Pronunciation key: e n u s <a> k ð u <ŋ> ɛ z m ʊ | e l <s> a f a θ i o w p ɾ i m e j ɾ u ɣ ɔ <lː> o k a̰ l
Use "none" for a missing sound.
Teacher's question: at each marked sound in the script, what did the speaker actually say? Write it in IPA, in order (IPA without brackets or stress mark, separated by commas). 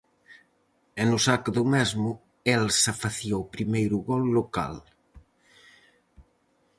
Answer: a, m, s, lː